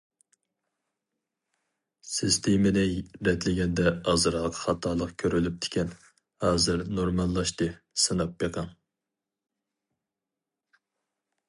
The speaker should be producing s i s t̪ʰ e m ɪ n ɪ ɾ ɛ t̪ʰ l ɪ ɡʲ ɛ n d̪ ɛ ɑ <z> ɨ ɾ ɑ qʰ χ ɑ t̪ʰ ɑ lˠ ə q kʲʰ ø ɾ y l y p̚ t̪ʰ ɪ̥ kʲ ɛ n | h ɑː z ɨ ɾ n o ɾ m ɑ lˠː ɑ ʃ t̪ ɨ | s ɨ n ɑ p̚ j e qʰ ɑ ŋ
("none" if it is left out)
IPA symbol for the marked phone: z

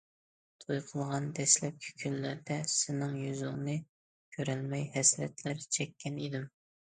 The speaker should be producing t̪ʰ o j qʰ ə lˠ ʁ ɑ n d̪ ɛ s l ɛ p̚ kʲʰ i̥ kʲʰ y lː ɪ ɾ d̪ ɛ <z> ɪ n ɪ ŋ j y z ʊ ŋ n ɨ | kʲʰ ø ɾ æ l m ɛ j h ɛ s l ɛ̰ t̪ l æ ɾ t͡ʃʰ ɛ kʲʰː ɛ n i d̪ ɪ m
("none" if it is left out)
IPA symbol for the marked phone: s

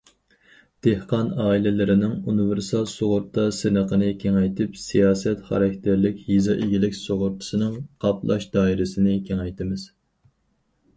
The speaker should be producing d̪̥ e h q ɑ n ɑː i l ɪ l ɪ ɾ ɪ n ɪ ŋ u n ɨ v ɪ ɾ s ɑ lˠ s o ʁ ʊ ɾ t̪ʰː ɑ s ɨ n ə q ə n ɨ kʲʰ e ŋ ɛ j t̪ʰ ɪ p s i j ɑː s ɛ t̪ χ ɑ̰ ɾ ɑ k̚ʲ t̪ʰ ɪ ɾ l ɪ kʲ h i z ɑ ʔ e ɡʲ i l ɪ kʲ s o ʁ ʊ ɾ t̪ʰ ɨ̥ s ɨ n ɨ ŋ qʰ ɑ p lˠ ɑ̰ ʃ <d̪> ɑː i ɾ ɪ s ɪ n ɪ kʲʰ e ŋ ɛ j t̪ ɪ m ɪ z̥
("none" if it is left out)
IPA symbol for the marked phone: d̪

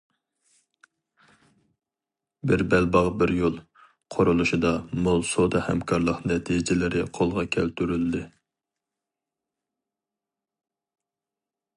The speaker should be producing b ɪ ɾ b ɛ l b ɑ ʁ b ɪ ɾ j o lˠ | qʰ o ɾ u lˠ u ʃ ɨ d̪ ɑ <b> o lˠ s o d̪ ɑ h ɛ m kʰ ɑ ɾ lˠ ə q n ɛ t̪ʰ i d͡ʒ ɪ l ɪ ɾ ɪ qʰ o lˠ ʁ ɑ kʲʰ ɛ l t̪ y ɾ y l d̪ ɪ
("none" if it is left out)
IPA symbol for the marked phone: m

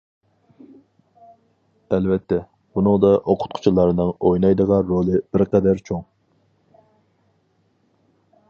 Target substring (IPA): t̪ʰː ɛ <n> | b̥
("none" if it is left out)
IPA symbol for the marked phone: none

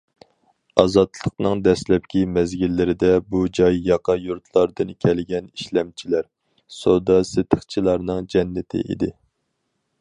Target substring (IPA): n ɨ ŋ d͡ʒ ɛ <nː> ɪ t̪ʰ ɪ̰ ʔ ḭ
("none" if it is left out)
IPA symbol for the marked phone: nː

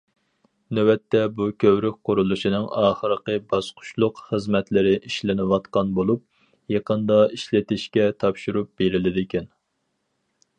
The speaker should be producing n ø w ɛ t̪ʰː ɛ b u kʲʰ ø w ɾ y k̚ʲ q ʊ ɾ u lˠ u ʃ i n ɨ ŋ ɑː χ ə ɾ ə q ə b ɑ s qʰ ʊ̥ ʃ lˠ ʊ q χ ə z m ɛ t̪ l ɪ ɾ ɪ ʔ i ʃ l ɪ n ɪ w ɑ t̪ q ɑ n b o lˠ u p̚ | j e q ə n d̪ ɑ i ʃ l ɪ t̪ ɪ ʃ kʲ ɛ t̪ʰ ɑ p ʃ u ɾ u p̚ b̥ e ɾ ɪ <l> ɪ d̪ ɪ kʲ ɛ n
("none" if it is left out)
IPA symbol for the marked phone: l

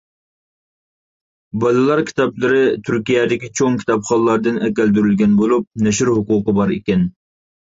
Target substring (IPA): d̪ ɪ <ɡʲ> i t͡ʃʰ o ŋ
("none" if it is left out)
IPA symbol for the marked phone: kʲ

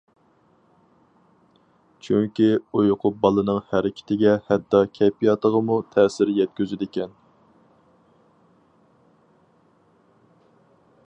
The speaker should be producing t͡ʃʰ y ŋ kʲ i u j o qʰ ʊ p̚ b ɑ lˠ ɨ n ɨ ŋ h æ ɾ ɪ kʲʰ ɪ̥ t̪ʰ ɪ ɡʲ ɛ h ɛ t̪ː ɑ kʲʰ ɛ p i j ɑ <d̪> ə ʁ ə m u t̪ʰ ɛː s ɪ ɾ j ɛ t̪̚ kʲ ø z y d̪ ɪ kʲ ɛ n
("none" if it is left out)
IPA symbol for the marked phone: t̪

